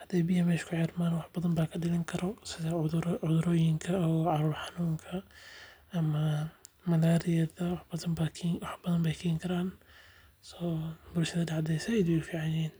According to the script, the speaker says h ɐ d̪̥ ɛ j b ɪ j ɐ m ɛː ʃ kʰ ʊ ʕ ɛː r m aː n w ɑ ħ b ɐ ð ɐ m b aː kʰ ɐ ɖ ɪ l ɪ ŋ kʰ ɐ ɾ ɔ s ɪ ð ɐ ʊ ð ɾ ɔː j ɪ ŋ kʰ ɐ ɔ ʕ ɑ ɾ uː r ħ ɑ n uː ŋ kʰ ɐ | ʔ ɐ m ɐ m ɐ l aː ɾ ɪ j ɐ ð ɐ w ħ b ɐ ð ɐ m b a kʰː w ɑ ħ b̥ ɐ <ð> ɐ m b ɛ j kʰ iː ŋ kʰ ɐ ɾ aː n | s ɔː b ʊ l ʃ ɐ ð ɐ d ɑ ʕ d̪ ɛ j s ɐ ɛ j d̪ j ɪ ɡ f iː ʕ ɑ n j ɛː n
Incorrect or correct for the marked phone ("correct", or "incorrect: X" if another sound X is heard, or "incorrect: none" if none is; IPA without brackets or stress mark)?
correct